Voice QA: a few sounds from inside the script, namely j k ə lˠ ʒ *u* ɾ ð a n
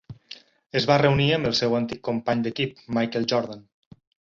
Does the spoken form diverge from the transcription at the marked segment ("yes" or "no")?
yes